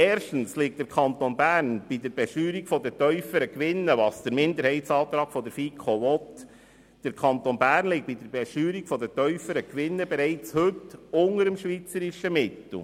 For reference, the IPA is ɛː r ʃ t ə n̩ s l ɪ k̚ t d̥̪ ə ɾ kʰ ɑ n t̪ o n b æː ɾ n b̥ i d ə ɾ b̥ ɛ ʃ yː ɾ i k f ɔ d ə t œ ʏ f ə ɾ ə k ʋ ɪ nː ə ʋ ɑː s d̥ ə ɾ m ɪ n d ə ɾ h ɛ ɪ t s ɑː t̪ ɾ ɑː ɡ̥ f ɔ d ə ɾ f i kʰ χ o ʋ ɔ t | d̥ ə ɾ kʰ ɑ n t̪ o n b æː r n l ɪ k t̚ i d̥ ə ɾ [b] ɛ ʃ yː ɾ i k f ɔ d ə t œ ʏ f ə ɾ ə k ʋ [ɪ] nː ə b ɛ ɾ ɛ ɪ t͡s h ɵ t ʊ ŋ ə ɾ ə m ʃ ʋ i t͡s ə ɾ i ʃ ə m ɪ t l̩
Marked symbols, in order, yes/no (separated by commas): yes, yes